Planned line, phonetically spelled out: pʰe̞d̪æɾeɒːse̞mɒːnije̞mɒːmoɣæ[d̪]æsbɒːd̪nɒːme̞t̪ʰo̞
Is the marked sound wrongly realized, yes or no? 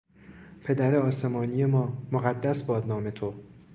yes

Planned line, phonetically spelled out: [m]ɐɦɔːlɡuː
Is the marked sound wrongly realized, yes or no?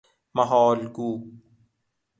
no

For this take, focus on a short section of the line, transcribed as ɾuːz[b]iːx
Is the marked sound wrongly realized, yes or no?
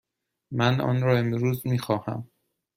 yes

